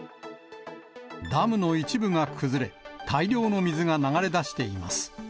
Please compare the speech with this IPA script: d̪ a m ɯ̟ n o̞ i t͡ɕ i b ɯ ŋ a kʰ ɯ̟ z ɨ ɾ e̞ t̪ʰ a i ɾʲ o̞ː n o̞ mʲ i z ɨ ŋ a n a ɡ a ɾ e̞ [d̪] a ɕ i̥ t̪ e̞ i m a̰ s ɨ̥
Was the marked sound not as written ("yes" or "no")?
no